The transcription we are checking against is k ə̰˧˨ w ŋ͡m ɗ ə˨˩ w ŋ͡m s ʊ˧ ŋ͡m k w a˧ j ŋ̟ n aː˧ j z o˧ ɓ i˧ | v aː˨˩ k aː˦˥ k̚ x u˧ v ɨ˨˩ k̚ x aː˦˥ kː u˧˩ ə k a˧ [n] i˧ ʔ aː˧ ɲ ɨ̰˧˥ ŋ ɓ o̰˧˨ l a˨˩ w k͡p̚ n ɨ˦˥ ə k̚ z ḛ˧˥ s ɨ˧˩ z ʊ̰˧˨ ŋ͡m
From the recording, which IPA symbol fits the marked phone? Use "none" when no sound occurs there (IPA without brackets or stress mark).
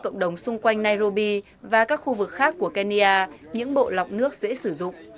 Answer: n